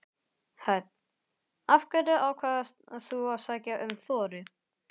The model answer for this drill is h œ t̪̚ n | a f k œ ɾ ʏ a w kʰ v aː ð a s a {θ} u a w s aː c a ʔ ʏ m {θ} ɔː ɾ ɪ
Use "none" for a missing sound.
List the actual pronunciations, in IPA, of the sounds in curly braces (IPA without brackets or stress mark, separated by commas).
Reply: θ, θ